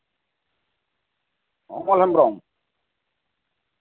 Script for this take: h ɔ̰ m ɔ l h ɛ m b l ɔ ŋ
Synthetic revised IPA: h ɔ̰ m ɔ l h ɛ m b ɾ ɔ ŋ